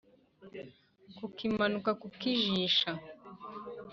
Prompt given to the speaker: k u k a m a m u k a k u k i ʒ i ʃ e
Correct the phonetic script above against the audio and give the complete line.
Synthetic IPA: k u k i m a n u k a k u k i ʒ i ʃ a